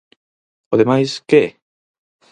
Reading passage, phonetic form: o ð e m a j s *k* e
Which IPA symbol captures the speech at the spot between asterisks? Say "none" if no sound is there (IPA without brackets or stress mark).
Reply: k